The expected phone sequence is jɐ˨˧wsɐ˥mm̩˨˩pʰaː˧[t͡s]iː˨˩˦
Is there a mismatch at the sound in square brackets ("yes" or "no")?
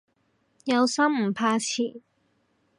yes